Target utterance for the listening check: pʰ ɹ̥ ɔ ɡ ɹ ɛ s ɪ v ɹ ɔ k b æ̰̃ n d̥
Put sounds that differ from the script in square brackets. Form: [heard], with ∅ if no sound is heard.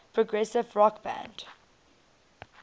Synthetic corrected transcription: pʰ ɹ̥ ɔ ɡ ɹ ɛ s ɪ v ɹ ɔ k b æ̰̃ n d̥